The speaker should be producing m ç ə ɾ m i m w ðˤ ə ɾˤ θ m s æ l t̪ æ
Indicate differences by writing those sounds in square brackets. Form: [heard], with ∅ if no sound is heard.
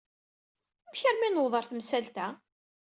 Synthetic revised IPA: m ç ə ɾ m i [n] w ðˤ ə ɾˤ θ m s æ l t̪ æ